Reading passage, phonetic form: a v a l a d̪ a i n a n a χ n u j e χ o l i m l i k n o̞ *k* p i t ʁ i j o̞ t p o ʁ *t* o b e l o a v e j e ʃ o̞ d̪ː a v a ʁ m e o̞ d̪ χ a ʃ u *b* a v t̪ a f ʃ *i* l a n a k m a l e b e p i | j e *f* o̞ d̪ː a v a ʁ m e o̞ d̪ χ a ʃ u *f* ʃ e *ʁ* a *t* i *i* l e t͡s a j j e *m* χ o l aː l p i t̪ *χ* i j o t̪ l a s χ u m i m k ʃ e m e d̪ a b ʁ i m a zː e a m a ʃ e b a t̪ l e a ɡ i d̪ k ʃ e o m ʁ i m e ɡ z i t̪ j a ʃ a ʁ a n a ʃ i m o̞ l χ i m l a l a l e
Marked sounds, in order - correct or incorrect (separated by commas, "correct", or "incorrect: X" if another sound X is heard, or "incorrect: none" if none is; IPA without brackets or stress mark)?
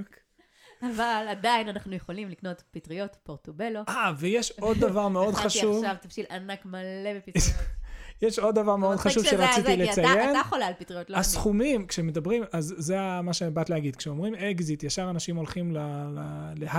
incorrect: t, correct, incorrect: v, correct, incorrect: ʃ, incorrect: v, correct, incorrect: t͡s, correct, incorrect: n, incorrect: ʁ